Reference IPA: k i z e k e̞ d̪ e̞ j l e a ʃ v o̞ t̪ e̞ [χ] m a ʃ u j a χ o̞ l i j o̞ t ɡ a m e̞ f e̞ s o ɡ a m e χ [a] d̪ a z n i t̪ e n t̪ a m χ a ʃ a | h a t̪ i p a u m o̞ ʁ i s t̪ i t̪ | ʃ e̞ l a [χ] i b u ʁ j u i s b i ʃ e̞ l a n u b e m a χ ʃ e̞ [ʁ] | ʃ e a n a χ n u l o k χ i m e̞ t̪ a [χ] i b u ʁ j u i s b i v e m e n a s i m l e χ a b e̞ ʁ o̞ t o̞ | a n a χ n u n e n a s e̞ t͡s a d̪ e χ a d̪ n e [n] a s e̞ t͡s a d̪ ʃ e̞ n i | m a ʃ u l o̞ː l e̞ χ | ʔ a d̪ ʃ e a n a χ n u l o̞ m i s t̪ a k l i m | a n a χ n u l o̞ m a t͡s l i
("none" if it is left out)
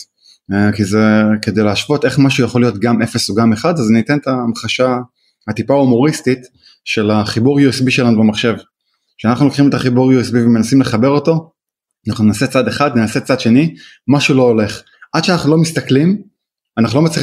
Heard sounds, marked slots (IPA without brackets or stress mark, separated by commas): χ, a, χ, v, χ, n